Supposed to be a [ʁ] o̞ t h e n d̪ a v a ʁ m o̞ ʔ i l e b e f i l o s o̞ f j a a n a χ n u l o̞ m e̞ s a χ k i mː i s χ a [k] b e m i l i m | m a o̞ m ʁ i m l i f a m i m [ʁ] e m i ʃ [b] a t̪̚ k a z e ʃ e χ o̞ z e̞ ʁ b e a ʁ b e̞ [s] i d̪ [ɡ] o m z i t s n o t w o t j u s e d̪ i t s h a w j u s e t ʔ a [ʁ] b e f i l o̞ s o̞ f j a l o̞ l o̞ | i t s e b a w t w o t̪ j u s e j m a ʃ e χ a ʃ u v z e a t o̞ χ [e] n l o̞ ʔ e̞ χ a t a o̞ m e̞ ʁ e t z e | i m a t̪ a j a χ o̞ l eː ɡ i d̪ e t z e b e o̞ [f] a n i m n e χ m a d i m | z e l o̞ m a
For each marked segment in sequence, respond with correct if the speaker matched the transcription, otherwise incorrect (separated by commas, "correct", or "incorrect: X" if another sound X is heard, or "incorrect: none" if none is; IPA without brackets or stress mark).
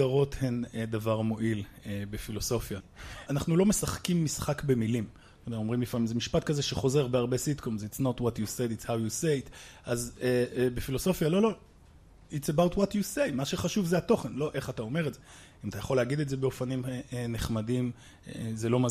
correct, correct, incorrect: z, incorrect: p, correct, incorrect: k, incorrect: z, correct, correct